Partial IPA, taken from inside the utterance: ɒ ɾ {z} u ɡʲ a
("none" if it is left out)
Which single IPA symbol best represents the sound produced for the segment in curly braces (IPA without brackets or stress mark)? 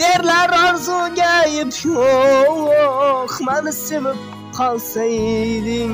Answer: z